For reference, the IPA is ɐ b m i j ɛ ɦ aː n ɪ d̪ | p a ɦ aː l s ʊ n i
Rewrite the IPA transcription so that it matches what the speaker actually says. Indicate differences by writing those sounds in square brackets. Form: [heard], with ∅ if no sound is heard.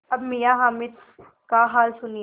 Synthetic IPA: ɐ b m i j [a] ɦ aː [m] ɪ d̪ | [k] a ɦ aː l s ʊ n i